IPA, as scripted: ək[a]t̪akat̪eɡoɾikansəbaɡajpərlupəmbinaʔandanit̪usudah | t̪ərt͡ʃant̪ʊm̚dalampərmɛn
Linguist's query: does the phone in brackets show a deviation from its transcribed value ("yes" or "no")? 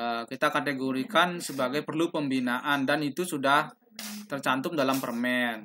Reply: yes